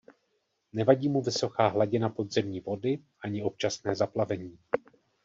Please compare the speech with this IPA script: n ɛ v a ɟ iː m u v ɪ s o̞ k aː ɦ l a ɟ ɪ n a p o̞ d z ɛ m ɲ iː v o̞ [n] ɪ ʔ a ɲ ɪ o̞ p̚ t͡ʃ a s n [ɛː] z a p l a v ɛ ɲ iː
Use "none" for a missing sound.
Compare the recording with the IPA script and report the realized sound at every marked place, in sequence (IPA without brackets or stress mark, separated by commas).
d, ɛː